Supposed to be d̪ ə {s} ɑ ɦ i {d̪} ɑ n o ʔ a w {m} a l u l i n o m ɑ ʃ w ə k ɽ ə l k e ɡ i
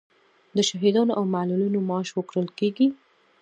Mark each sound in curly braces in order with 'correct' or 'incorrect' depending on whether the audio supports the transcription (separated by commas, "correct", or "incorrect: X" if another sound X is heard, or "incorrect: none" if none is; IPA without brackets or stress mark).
incorrect: ʃ, correct, correct